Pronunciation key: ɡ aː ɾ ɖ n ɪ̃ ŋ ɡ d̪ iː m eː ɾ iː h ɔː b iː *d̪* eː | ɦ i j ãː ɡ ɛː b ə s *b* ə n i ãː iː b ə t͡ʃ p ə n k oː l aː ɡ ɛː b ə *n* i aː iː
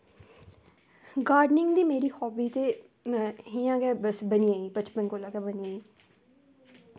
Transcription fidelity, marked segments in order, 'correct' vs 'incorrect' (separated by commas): incorrect, correct, correct